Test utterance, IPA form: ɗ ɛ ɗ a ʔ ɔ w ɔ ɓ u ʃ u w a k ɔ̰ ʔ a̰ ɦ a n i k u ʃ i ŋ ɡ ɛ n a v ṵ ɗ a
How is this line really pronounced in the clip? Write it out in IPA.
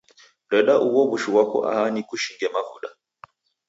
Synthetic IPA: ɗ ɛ ɗ a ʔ u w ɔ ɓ u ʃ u w a k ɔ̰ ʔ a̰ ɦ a n i k u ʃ i ŋ ɡ ɛ m a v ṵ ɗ a

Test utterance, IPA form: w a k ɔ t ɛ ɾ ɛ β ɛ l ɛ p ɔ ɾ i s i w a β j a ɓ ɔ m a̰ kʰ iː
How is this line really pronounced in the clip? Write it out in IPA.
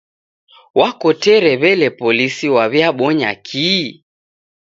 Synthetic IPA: w a k ɔ t ɛ ɾ ɛ β ɛ l ɛ p ɔ l i s i w a β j a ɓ ɔ ɲ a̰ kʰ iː

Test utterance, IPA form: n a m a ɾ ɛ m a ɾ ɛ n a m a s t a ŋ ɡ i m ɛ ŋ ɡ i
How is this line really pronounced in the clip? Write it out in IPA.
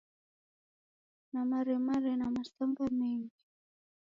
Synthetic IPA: n a m a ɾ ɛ m a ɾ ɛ n a m a s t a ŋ ɡ a m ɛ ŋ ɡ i

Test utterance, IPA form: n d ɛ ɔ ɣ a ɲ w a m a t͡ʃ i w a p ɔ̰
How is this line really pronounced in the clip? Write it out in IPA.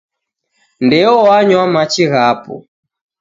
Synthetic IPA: n d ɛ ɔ w a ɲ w a m a t͡ʃ i ɣ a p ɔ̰

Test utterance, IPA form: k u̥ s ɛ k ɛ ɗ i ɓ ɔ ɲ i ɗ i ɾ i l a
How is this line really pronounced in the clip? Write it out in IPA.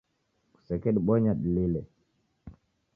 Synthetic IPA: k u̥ s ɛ k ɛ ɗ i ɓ ɔ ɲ a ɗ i l i l ɛ

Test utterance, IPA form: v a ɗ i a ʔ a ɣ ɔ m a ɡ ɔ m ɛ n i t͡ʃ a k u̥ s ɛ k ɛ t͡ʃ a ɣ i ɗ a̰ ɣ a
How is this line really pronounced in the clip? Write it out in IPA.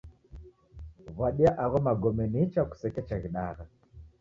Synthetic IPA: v a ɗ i a ʔ a ɣ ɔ m a ɡ ɔ m ɛ n i t͡ʃ a k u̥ s ɛ k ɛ t͡ʃ a ɣ i ɗ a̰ ɣ a

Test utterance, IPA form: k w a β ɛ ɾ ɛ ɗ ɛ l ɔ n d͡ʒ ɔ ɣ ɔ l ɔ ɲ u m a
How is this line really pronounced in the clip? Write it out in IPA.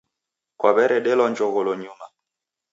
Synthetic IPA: k w a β ɛ ɾ ɛ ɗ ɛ l ɔ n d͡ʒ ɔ ɣ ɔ l ɔ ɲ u m a

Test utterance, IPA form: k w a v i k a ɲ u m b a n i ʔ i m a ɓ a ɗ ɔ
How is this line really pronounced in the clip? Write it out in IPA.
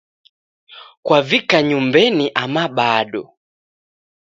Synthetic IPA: k w a v i k a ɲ u m b ɛ n i ʔ a m a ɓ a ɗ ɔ

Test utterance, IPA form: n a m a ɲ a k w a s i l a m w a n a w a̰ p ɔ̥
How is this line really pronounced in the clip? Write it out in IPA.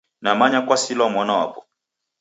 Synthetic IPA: n a m a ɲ a k w a s i l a m w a n a w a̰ p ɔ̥

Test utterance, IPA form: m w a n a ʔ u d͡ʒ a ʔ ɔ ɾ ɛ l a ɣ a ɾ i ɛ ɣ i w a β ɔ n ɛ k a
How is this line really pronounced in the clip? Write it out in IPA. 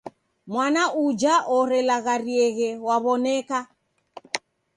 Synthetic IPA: m w a n a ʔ u d͡ʒ a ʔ ɔ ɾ ɛ l a ɣ a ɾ i ɛ ɣ ɛ w a β ɔ n ɛ k a

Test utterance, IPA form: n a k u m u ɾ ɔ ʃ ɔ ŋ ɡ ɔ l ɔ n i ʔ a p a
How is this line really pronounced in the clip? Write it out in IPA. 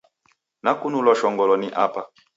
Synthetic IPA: n a k u n u l ɔ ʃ ɔ ŋ ɡ ɔ l ɔ n i ʔ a p a

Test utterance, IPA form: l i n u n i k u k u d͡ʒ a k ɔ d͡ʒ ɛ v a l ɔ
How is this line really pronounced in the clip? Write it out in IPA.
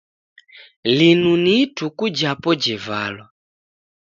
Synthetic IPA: l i n u n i t u k u d͡ʒ a p ɔ d͡ʒ ɛ v a l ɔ

